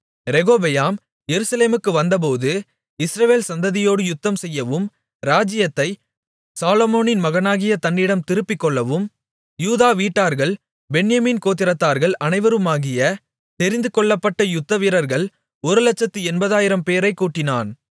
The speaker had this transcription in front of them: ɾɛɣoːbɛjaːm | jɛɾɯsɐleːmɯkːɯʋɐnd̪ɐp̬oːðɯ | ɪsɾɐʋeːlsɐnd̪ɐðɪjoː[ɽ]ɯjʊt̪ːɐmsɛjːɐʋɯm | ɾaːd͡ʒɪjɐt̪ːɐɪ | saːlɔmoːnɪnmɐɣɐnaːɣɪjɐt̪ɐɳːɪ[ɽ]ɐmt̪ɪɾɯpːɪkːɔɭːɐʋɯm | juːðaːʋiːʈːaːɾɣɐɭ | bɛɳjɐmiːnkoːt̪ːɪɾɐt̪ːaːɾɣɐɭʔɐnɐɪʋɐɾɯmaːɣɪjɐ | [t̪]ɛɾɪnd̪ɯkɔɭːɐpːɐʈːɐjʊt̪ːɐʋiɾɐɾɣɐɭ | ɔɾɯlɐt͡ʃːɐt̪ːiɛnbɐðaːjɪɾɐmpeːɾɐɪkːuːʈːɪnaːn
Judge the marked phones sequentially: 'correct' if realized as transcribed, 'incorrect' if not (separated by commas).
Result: correct, correct, correct